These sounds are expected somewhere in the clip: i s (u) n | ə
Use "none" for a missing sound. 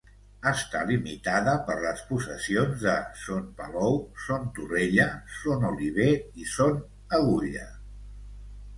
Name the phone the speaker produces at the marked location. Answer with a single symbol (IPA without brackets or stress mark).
o